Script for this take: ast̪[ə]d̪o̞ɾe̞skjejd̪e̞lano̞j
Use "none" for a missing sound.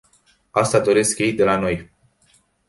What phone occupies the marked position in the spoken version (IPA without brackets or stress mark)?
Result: a